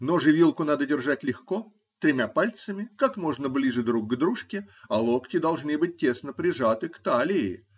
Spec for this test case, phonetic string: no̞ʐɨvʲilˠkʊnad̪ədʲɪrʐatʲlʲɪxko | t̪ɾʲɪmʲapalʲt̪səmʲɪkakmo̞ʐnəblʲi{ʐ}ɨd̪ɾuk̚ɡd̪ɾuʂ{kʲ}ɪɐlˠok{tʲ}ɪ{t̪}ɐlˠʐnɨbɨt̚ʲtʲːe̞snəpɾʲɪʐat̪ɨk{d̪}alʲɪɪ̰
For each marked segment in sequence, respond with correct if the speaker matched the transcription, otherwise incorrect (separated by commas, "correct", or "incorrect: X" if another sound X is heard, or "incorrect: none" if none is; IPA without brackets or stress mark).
correct, correct, correct, incorrect: d̪, incorrect: t̪